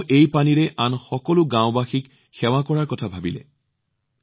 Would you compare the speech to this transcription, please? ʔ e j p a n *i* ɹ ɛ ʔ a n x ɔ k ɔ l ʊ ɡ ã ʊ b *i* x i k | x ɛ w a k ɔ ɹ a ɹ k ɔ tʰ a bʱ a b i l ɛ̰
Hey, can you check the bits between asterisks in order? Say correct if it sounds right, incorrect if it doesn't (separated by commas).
correct, incorrect